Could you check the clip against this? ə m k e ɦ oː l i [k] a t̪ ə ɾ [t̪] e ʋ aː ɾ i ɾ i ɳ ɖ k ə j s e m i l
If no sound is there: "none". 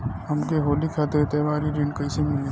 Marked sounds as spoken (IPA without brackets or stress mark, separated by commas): kʰ, t̪